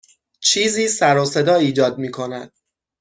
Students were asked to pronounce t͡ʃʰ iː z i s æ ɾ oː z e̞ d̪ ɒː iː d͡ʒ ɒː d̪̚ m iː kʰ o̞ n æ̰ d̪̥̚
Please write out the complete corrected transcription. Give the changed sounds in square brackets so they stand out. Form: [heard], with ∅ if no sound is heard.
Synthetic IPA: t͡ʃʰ iː z [iː] s æ ɾ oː [s] e̞ d̪ ɒː iː d͡ʒ ɒː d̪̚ m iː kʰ o̞ n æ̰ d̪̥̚